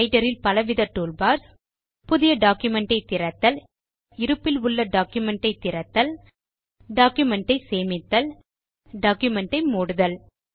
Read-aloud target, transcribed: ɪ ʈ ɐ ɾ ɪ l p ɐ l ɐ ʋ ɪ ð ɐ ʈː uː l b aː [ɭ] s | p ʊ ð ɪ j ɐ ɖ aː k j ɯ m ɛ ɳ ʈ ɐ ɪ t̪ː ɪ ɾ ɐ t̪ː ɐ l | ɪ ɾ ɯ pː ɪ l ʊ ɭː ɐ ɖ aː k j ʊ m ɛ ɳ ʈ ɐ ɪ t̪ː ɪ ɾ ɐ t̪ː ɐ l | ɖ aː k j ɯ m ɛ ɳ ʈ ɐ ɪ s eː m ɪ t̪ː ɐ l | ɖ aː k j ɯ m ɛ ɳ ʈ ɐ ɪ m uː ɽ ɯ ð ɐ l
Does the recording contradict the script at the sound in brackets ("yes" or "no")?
yes